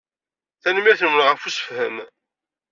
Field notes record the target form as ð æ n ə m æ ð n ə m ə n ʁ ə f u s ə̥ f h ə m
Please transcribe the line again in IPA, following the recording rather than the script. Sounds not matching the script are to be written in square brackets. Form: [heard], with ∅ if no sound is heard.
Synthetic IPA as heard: [θ] æ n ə m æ [θ] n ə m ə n ʁ ə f u s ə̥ f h ə m

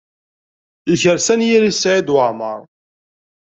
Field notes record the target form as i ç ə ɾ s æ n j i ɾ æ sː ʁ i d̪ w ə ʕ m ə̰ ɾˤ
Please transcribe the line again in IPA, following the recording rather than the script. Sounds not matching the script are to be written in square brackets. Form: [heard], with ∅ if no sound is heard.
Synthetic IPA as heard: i ç ə ɾ s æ n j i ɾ [i] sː [ʕ] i d̪ w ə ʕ m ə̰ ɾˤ

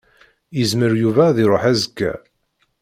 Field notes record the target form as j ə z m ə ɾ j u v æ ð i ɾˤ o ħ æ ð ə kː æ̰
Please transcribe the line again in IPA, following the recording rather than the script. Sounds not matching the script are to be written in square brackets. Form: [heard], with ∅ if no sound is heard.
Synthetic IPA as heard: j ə z m ə ɾ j u v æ ð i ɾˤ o ħ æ [z] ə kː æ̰

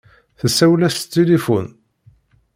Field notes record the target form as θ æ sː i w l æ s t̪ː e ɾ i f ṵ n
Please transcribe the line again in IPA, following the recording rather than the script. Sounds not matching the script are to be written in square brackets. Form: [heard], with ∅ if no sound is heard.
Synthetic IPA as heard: θ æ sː [æ] w l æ s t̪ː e [l] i f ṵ n

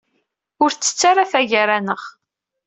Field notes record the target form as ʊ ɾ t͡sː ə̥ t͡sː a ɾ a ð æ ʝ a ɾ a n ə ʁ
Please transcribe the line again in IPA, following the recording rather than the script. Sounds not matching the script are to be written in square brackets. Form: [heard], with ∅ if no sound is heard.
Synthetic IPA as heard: ʊ ɾ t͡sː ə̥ t͡sː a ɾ a [θ] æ ʝ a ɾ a n ə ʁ

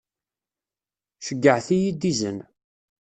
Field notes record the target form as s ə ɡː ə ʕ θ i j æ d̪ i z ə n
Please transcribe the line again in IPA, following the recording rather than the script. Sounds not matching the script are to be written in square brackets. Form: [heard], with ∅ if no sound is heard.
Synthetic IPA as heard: [ʃ] ə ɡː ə ʕ θ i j [i] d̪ i z ə n

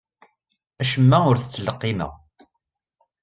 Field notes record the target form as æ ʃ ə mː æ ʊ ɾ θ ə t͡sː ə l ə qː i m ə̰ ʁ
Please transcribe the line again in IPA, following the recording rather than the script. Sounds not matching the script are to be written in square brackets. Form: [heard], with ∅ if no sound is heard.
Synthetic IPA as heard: æ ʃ ə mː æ ʊ ɾ θ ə t͡sː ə l ə qː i m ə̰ ʁ

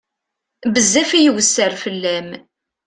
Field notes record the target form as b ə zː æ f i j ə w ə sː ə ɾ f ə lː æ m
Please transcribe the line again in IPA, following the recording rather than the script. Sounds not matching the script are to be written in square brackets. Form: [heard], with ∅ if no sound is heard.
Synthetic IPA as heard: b ə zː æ f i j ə w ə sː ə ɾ f ə lː æ m

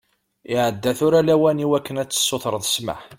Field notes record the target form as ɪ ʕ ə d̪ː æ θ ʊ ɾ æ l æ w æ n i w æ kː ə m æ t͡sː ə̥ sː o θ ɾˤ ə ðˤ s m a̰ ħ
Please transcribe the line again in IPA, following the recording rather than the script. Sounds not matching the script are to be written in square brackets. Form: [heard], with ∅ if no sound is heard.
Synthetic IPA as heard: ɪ ʕ ə d̪ː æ θ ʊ ɾ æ l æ w æ n i w æ kː ə [n] æ t͡sː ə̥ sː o θ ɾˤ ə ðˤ s m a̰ ħ

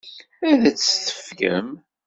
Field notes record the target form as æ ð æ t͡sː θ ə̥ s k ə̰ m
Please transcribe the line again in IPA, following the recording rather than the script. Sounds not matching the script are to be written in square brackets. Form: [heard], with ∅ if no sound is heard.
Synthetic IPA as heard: æ ð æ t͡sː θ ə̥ [f] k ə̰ m

